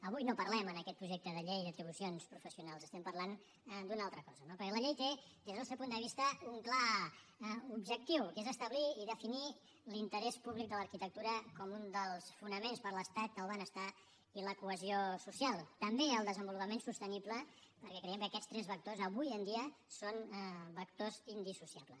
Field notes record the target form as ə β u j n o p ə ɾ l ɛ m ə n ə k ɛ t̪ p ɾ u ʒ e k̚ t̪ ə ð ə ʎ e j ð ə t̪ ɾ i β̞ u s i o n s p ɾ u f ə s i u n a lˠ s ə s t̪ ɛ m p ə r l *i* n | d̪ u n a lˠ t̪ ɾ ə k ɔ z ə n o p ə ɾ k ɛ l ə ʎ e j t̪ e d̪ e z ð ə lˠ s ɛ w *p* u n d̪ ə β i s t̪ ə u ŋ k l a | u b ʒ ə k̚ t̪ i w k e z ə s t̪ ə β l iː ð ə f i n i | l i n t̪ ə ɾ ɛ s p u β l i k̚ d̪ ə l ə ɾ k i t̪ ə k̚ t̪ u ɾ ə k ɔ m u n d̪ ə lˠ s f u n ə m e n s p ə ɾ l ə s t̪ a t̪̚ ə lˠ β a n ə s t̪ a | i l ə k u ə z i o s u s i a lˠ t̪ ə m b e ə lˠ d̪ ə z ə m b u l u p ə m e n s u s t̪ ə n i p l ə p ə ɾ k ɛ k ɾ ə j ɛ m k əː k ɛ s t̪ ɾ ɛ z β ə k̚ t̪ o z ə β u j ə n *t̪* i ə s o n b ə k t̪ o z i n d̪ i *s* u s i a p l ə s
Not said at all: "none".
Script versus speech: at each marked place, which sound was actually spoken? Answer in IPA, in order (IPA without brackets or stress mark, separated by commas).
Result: a, p, d̪, s